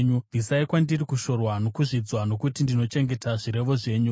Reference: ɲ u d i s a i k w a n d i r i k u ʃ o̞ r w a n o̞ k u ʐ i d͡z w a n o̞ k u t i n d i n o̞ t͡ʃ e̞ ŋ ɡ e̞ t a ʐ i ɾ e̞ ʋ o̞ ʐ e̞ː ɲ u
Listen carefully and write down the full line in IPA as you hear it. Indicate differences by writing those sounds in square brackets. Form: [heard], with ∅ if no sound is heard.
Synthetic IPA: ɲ u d i s a i k w a n d i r i k u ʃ o̞ r w a n o̞ k u ʐ i d͡z w a n o̞ k u t i n d i n o̞ t͡ʃ e̞ ŋ ɡ e̞ t a ʐ i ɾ e̞ ʋ o̞ ʐ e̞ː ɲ u